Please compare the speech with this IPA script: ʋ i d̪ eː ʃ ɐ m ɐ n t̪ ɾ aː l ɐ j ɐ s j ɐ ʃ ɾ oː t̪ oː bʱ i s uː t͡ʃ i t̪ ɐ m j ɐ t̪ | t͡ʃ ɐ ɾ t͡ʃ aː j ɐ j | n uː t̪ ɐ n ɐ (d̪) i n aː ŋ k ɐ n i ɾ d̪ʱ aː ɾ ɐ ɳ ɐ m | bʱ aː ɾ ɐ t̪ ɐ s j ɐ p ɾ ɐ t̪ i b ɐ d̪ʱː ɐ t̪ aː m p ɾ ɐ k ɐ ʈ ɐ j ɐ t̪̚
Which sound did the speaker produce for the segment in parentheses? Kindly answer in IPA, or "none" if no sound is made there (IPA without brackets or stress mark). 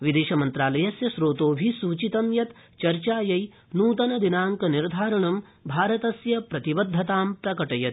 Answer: d̪